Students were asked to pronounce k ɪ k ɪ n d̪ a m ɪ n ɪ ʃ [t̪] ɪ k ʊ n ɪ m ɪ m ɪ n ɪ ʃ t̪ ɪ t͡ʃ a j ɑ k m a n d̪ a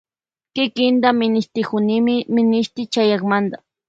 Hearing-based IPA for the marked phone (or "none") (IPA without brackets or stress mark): t̪